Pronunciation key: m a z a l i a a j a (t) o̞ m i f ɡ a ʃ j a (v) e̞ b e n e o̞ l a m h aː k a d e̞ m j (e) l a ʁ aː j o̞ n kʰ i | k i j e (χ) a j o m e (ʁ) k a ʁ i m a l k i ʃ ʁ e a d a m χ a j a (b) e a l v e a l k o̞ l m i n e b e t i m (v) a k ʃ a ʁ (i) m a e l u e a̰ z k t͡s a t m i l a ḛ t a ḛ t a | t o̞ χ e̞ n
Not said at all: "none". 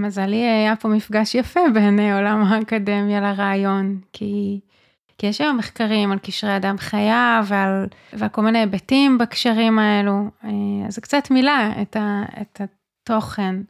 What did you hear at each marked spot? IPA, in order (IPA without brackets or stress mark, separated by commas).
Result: p, f, a, ʃ, χ, v, b, i